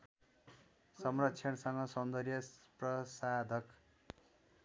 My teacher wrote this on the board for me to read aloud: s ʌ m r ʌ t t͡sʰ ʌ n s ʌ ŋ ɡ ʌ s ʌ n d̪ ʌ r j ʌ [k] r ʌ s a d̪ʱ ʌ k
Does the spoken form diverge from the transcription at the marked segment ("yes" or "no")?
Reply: yes